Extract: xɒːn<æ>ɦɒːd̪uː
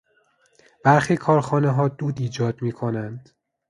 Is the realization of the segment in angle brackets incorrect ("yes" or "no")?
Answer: yes